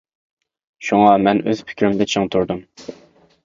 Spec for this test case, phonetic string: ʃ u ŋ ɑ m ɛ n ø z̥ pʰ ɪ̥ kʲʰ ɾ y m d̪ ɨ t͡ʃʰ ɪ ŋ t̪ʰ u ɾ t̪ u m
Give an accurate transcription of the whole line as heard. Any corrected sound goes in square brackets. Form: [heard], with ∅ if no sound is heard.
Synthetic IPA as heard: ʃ u ŋ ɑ m ɛ n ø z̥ pʰ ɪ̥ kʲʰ ɾ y m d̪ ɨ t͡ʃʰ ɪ ŋ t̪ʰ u ɾ [d̪] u m